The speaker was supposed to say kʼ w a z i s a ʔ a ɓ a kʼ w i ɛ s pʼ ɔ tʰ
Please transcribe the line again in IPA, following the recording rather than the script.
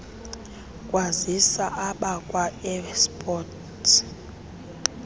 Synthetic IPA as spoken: kʼ w a z i s a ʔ a ɓ a kʼ w a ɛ s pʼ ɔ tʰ